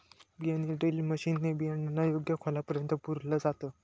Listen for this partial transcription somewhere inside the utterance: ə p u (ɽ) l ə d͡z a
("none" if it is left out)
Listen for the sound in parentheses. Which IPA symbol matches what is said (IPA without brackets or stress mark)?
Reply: ɾ